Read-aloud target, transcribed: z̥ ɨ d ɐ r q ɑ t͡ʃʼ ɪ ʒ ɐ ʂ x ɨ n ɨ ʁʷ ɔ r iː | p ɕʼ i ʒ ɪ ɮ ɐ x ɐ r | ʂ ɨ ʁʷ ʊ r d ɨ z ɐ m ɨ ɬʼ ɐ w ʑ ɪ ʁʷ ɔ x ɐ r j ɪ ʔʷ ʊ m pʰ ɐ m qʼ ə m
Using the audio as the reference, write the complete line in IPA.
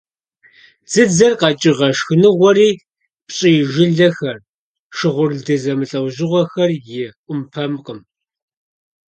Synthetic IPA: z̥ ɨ d͡z ɐ r q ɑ t͡ʃʼ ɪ ʁ ɐ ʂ x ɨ n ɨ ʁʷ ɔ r iː | p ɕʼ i ʒ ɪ ɮ ɐ x ɐ r | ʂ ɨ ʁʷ ʊ r d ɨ z ɐ m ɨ ɬʼ ɐ w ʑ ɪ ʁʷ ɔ x ɐ r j ɪ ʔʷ ʊ m pʰ ɐ m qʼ ə m